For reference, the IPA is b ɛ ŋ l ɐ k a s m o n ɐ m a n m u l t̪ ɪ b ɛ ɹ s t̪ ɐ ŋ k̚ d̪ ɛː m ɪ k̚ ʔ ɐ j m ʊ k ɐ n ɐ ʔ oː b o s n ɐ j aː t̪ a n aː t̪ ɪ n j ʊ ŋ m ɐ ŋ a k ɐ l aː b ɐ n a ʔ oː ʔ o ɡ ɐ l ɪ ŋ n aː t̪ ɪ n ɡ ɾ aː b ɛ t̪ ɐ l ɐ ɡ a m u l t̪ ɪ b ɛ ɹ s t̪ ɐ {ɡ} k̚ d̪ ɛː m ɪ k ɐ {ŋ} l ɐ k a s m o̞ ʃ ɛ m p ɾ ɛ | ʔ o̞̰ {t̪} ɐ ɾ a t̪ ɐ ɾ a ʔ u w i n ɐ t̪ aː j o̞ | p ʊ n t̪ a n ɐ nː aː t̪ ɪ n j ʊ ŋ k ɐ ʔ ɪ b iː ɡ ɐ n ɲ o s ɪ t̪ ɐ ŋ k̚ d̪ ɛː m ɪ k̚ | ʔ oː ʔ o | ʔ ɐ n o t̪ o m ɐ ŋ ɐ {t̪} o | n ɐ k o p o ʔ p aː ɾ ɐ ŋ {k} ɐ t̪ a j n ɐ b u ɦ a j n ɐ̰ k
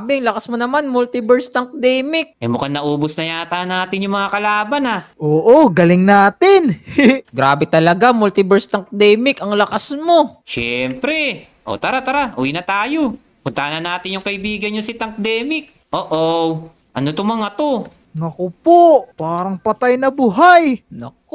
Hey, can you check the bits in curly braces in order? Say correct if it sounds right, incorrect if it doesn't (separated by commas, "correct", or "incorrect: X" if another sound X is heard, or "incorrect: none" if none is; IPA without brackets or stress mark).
incorrect: ŋ, correct, correct, correct, incorrect: p